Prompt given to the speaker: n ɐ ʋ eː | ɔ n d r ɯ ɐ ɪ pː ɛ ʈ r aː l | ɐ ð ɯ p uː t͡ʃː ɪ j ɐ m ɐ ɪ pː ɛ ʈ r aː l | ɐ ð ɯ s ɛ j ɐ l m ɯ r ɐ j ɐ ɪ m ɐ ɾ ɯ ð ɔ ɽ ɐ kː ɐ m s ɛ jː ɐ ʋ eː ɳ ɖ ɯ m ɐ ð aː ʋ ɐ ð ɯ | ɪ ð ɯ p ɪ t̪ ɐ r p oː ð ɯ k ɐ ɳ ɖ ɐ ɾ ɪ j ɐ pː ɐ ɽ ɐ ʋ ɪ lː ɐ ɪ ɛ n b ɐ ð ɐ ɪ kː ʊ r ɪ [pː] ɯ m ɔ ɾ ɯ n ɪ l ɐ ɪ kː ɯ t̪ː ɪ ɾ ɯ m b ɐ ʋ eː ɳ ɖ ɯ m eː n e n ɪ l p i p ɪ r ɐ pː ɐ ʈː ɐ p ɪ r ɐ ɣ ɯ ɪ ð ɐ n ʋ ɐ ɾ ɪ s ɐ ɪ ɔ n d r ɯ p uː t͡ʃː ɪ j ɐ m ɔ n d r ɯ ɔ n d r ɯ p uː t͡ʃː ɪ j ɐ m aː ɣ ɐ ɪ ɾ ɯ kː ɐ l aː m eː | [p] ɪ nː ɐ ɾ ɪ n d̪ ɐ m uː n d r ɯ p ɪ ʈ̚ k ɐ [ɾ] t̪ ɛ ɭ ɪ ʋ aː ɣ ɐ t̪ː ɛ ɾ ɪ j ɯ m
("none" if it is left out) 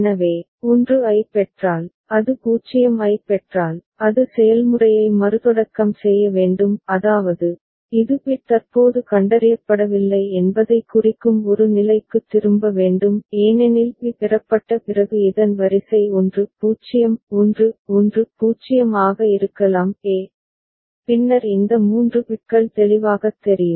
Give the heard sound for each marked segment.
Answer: kː, p, ɭ

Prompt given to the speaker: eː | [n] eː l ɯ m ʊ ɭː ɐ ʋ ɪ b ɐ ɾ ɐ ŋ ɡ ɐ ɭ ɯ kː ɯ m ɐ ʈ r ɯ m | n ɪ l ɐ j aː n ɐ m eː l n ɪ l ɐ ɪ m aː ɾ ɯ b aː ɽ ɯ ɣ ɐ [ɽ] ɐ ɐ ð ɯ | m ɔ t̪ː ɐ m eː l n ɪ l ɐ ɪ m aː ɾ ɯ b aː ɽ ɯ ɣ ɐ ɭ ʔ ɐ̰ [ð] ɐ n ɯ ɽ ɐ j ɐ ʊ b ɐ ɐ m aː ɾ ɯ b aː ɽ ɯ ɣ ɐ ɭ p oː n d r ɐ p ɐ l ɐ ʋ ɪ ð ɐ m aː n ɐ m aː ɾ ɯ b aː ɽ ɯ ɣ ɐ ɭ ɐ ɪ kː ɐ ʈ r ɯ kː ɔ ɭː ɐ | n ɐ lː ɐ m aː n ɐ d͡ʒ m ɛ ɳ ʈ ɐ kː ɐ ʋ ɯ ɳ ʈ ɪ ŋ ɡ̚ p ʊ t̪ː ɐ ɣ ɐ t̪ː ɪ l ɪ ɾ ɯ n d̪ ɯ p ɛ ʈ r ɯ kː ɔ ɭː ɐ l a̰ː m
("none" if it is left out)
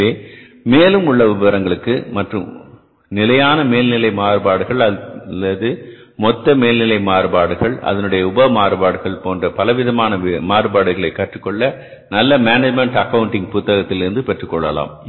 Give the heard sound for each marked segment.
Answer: m, ɭ, ð

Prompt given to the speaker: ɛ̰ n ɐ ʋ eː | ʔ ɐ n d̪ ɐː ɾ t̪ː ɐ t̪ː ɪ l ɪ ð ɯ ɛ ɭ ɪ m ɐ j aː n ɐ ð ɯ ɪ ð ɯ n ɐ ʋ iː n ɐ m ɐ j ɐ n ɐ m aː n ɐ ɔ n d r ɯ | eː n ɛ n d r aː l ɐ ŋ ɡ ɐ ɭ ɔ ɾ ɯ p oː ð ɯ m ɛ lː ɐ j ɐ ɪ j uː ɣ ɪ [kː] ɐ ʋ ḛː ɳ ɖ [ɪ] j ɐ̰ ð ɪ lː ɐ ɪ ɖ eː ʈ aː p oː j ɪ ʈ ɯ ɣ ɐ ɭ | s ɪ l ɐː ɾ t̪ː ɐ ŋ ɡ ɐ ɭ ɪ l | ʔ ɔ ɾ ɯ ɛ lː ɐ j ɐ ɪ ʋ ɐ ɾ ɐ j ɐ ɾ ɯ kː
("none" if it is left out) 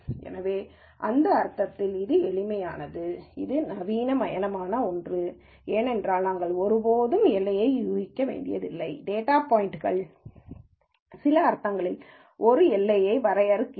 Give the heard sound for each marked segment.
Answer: kː, ɪ

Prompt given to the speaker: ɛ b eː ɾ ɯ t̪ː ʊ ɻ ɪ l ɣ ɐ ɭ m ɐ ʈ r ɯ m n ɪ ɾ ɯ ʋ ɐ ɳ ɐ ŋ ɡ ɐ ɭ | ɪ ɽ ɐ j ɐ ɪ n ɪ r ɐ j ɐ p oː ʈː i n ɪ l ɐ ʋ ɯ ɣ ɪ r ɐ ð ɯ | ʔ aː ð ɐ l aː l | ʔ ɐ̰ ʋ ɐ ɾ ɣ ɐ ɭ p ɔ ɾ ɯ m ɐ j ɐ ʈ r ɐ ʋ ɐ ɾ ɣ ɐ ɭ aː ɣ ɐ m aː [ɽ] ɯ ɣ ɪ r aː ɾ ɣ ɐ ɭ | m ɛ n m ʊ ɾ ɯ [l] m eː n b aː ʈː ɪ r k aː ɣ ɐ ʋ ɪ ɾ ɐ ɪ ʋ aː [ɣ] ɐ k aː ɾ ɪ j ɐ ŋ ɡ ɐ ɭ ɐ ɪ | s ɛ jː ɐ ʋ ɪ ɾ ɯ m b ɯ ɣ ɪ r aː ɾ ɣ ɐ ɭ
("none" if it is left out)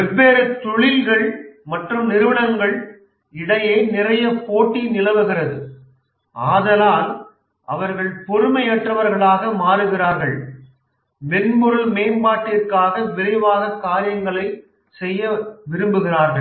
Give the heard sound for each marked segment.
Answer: ɾ, l, ɣ

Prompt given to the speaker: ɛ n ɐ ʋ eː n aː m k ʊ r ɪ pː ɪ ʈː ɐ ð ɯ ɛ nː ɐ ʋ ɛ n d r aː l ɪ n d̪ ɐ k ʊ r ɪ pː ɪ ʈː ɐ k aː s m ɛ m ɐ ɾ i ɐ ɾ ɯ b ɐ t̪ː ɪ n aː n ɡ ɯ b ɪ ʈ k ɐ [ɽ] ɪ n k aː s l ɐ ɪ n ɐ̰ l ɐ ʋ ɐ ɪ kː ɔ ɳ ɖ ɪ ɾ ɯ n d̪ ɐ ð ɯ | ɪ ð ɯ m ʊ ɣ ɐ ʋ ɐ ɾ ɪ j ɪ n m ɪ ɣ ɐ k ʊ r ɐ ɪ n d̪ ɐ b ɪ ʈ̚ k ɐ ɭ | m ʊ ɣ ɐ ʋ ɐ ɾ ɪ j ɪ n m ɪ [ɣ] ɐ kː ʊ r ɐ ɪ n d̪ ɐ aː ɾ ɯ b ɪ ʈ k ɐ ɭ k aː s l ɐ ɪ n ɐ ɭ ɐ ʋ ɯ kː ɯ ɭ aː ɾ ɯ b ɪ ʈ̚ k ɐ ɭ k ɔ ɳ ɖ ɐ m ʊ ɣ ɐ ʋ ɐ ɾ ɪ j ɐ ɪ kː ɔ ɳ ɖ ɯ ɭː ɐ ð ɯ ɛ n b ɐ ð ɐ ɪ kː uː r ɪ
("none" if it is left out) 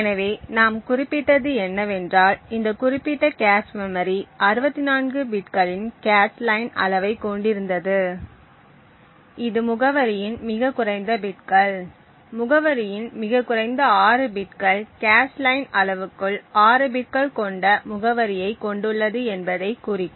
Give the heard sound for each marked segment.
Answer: ɭ, ɣ

